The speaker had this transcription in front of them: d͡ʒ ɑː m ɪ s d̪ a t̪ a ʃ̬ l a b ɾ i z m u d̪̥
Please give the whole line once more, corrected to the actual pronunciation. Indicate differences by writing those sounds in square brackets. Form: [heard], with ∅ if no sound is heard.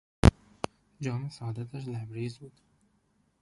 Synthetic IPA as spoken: d͡ʒ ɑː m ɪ s d̪ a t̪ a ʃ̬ l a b ɾ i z [b] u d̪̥